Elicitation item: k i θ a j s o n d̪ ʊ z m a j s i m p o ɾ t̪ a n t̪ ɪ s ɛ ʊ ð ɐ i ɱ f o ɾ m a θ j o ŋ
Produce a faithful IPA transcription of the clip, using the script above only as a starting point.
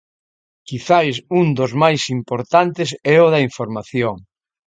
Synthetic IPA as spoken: k i θ a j s u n d̪ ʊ z m a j s i m p o ɾ t̪ a n t̪ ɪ s ɛ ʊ ð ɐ i ɱ f o ɾ m a θ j o ŋ